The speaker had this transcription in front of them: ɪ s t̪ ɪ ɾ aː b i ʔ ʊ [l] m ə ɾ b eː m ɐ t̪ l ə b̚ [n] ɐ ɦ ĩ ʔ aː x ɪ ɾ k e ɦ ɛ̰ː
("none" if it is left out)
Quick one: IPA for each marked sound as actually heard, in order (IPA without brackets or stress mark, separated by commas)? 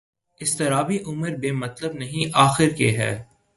none, n